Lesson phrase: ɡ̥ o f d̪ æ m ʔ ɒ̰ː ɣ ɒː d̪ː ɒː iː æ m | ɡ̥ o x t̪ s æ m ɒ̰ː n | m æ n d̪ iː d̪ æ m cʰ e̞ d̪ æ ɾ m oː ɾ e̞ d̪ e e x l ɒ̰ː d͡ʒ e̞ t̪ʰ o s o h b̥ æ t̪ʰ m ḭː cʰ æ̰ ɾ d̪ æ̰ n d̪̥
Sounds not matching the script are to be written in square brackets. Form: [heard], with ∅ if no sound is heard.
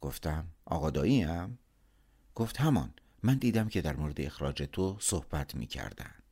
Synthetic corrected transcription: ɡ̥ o f [t̪] æ m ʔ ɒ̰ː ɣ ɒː [d̪] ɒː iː æ m | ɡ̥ o [f] t̪ [h] æ m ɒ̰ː n | m æ n d̪ iː d̪ æ m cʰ e̞ d̪ æ ɾ m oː ɾ e̞ d̪ e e x [ɾ] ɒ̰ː d͡ʒ e̞ t̪ʰ o s o h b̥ æ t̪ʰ m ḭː cʰ æ̰ ɾ d̪ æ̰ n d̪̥